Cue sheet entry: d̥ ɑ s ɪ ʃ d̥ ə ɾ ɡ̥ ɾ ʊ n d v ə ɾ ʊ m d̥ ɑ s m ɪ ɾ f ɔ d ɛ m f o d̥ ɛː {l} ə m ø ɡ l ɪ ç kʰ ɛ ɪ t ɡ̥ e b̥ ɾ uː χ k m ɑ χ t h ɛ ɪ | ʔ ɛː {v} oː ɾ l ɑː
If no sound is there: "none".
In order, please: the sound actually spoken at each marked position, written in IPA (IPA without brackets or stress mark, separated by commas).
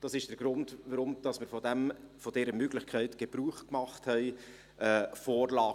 ɾ, f